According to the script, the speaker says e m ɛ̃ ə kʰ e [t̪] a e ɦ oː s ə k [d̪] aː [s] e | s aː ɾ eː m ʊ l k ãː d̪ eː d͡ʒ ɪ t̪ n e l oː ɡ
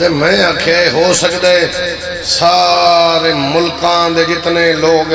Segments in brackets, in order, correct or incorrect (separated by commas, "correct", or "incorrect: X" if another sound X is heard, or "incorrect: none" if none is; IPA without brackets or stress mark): incorrect: none, correct, incorrect: none